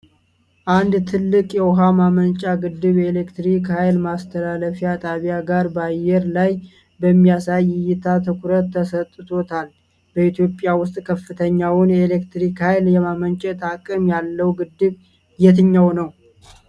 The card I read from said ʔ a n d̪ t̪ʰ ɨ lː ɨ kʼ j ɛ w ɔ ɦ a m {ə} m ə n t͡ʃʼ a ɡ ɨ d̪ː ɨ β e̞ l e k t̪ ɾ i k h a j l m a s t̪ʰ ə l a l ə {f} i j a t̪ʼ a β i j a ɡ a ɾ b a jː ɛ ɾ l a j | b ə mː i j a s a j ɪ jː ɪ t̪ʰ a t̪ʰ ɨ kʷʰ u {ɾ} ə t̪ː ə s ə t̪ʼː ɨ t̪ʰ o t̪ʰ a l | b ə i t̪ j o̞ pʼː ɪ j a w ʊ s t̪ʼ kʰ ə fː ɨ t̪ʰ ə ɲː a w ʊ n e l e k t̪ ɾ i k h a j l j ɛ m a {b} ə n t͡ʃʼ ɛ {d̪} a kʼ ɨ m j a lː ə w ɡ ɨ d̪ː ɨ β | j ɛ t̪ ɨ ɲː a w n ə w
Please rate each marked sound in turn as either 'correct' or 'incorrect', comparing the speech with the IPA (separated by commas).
incorrect, correct, correct, incorrect, incorrect